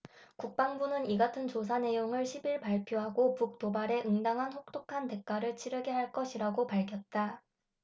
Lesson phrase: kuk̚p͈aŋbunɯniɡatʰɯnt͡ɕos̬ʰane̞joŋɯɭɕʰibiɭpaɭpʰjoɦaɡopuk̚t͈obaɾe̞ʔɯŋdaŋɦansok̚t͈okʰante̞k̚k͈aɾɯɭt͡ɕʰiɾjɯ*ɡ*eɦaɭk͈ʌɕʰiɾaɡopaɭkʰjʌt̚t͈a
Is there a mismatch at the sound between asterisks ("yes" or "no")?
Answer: no